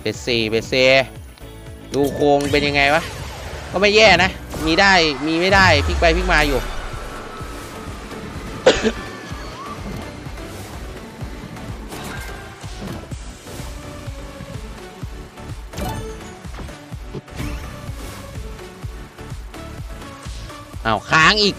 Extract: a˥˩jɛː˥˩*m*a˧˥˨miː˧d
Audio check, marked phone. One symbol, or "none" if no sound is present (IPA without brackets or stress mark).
n